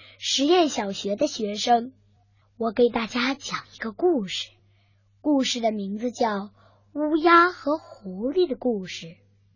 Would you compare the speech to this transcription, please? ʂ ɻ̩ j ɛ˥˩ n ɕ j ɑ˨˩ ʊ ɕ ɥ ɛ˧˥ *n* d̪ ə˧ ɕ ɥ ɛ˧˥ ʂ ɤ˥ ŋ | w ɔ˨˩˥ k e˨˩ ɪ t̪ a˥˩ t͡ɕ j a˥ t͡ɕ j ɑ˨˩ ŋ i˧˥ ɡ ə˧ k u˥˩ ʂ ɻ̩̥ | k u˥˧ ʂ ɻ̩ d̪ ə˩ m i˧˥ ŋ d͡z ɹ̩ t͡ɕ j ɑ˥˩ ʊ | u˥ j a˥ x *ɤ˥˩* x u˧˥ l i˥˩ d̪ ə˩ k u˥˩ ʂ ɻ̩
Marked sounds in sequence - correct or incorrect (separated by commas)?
incorrect, incorrect